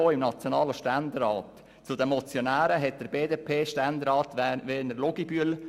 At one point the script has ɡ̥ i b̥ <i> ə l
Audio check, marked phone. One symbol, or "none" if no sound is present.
y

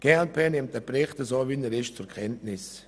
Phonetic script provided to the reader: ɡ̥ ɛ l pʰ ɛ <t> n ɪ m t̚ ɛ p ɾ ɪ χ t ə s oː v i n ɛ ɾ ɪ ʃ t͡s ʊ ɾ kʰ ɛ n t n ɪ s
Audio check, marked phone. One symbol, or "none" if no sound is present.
none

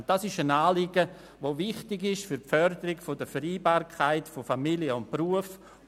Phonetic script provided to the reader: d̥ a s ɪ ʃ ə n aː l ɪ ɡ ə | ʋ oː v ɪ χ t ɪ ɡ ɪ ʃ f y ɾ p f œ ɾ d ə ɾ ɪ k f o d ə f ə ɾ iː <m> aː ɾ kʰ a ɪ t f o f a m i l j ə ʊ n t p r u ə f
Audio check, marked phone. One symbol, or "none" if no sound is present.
b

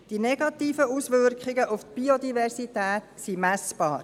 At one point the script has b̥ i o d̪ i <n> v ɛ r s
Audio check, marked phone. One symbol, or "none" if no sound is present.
none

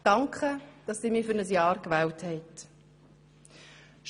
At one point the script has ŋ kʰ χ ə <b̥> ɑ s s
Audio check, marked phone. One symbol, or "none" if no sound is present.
d̥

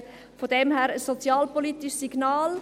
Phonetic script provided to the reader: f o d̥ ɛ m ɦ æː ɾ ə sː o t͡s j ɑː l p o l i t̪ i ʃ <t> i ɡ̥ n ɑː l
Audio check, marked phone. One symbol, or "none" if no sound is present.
s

